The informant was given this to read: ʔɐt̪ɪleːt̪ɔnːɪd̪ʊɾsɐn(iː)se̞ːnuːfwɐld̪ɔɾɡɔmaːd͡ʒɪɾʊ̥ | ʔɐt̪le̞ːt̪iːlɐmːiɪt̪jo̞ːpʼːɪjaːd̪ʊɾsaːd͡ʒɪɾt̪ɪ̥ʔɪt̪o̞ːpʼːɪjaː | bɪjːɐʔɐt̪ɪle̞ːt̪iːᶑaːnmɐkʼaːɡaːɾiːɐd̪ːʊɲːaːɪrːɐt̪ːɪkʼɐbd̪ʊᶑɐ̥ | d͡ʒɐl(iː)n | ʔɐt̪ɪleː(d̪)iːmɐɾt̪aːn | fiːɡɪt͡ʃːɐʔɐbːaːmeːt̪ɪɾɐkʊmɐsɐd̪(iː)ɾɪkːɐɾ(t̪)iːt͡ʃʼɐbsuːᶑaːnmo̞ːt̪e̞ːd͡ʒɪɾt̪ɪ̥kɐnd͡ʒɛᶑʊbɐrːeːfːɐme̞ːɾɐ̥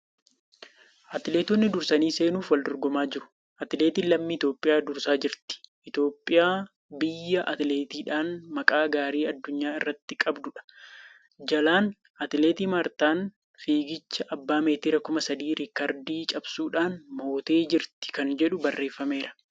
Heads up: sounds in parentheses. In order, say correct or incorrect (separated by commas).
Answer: correct, incorrect, incorrect, correct, incorrect